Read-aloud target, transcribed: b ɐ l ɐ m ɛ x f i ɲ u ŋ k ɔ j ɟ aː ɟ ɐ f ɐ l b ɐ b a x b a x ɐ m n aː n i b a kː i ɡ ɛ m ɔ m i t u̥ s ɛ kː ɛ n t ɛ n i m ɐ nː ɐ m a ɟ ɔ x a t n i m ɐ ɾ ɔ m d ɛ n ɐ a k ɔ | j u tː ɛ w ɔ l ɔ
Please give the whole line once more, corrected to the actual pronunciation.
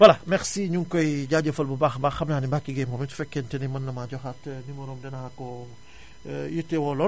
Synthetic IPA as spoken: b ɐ l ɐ m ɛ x s i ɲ u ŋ k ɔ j ɟ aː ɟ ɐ f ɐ l b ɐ b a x b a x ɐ m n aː n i b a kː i ɡ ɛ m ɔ m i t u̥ f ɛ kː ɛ n t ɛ n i m ɐ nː ɐ m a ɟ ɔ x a t n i m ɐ ɾ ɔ m d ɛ n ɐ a k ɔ | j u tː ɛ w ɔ l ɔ

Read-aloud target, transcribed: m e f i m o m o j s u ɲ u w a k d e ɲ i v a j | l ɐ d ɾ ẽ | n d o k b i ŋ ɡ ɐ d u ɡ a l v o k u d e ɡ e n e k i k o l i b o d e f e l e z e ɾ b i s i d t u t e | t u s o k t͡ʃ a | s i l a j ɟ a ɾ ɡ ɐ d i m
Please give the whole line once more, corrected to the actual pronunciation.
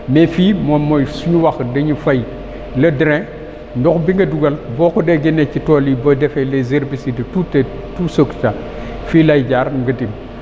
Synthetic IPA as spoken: m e f i m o m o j s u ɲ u w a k d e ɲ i f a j | l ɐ d ɾ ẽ | n d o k b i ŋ ɡ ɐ d u ɡ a l b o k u d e ɡ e n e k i t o l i b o d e f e l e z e ɾ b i s i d t u t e | t u s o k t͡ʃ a | f i l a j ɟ a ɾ ɡ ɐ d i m

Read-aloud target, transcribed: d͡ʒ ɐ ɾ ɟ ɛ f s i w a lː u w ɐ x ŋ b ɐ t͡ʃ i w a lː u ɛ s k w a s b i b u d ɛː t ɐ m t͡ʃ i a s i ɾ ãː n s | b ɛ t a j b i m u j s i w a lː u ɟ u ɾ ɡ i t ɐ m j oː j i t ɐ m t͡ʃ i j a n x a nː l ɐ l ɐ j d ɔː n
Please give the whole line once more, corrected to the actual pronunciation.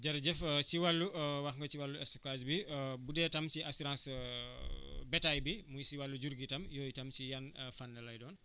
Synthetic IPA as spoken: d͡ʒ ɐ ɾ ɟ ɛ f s i w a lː u w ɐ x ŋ ɡ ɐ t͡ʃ i w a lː u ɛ s k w a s b i b u d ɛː t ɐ m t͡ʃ i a s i ɾ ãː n s | b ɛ t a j b i m u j s i w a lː u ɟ u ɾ ɡ i t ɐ m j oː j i t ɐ m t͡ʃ i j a n f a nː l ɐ l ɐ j d ɔː n

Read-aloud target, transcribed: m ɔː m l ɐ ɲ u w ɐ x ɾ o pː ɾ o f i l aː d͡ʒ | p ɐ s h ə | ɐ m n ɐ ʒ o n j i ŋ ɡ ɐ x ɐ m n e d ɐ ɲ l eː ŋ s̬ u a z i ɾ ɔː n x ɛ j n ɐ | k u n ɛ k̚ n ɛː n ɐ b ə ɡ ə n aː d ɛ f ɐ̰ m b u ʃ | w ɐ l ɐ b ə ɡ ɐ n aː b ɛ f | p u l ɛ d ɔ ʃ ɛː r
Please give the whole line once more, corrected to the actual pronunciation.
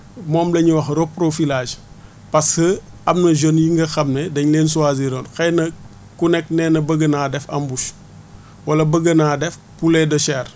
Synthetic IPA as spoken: m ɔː m l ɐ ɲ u w ɐ x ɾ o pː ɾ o f i l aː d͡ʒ | p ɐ s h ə | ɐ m n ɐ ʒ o n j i ŋ ɡ ɐ x ɐ m n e d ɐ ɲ l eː n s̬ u a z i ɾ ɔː n x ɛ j n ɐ | k u n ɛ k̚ n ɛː n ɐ b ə ɡ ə n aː d ɛ f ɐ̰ m b u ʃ | w ɐ l ɐ b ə ɡ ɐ n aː d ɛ f | p u l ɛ d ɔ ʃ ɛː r

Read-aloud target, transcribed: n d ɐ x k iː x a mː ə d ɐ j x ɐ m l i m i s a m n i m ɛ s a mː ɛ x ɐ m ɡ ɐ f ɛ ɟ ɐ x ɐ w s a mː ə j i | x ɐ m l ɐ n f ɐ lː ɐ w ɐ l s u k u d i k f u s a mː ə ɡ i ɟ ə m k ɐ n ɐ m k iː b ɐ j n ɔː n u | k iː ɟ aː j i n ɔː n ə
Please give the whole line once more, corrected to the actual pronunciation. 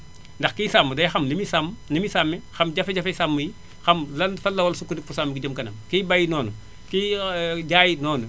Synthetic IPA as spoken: n d ɐ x k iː s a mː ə d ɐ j x ɐ m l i m i s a m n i m i s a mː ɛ x ɐ m ɟ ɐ f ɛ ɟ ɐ f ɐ s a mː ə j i | x ɐ m l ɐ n f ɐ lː ɐ w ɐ l s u k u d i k f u s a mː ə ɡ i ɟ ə m k ɐ n ɐ m k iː b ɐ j n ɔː n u | k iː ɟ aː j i n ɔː n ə

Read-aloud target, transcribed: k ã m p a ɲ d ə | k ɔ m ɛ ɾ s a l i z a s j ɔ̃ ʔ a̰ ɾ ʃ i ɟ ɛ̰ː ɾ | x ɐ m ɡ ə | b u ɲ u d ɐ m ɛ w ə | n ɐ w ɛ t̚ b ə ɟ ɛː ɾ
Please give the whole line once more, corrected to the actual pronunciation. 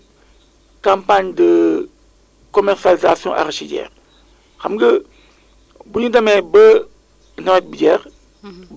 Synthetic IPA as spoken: k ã m p a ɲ d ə | k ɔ m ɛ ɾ s a l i z a s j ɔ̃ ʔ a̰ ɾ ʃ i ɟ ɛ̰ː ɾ | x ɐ m ɡ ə | b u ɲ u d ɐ m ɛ b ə | n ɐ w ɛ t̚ b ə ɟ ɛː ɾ

